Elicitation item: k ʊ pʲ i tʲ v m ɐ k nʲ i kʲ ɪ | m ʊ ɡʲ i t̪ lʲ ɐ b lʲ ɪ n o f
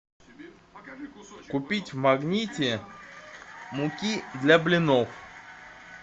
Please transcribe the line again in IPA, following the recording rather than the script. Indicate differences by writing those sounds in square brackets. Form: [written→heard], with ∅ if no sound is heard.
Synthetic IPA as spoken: k ʊ pʲ i tʲ v m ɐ [k→ɡ] nʲ i [kʲ→tʲ] ɪ | m ʊ [ɡʲ→kʲ] i [t̪→d̪] lʲ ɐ b lʲ ɪ n o f